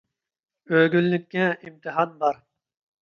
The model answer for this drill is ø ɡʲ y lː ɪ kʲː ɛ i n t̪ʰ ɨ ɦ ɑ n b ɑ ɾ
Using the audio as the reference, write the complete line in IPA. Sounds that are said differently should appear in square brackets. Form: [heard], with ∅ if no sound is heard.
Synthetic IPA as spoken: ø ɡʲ y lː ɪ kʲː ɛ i [m] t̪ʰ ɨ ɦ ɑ n b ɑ ɾ